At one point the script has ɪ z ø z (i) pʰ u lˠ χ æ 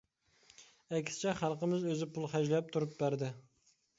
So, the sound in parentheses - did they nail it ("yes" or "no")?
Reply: no